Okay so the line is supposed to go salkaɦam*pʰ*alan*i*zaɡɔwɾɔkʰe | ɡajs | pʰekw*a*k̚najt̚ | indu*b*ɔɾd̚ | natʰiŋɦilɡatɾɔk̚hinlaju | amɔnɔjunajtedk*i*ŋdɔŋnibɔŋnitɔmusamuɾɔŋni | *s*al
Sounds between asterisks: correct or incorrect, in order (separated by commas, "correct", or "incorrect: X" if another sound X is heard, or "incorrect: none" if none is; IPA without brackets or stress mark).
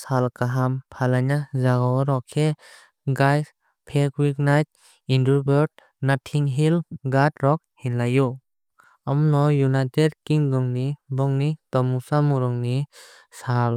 correct, incorrect: a, incorrect: i, correct, correct, correct